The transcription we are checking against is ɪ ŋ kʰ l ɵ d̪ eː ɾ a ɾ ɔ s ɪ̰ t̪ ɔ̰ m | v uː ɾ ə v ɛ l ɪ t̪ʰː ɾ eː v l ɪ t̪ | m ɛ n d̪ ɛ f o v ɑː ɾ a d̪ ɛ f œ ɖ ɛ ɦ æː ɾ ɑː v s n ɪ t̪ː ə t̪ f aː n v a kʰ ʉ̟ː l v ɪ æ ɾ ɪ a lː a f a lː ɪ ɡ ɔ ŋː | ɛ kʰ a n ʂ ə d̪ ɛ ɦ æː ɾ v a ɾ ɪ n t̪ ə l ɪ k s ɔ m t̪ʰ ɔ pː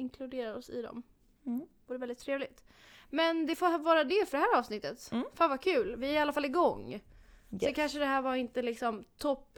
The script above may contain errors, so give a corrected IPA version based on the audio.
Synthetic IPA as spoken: ɪ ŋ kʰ l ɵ d̪ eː ɾ a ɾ ɔ s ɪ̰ d̪ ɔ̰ m | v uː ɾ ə v ɛ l ɪ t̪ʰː ɾ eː v l ɪ t̪ | m ɛ n d̪ ɛ f o v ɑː ɾ a d̪ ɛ f œ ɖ ɛ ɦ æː ɾ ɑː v s n ɪ t̪ː ə t̪ f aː n v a kʰ ʉ̟ː l v ɪ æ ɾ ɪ a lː a f a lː ɪ ɡ ɔ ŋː | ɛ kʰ a n ʂ ə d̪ ɛ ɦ æː ɾ v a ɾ ɪ n t̪ ə l ɪ k s ɔ m t̪ʰ ɔ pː